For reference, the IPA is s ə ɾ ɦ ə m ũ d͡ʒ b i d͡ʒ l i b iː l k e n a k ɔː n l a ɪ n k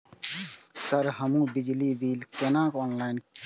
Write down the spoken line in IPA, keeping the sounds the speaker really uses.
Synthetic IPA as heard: s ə ɾ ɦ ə m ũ b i d͡ʒ l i b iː l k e n a k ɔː n l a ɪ n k